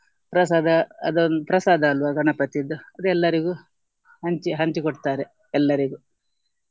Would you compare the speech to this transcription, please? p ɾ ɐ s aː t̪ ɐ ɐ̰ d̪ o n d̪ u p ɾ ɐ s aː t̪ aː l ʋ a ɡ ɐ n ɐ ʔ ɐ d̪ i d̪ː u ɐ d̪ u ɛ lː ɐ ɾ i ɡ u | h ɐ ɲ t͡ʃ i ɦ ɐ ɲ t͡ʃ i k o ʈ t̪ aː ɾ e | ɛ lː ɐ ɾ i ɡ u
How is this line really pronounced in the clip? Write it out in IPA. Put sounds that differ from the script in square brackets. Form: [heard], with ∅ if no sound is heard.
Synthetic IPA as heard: p ɾ ɐ s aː [d̪] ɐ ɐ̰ d̪ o n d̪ u p ɾ ɐ s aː [d̪] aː l ʋ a ɡ ɐ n ɐ [p] ɐ [t̪] i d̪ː u ɐ d̪ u ɛ lː ɐ ɾ i ɡ u | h ɐ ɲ t͡ʃ i ɦ ɐ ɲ t͡ʃ i k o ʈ t̪ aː ɾ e | ɛ lː ɐ ɾ i ɡ u